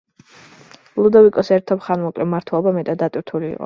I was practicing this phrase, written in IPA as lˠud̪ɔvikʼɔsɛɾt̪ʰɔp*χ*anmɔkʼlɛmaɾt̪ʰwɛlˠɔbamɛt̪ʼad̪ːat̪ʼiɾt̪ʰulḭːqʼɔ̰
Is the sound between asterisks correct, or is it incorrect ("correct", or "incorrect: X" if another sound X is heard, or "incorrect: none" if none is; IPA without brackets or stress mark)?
correct